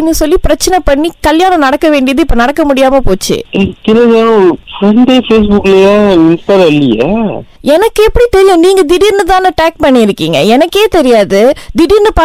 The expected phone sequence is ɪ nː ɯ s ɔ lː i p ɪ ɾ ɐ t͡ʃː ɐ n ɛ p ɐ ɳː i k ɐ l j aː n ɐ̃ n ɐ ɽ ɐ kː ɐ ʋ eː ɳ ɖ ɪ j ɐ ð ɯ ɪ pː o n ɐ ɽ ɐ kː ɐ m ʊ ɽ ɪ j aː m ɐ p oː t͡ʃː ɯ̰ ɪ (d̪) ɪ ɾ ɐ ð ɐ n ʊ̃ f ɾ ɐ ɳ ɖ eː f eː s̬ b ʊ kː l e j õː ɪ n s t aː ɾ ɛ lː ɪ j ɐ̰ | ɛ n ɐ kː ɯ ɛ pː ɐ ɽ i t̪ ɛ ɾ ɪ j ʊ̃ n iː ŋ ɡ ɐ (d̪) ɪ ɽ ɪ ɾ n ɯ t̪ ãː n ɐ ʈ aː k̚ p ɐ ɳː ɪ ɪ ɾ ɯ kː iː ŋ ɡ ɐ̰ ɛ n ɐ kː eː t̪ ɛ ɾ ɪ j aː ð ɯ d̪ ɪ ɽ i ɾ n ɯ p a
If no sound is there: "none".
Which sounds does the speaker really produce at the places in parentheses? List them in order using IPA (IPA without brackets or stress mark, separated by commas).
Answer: t̪, d̪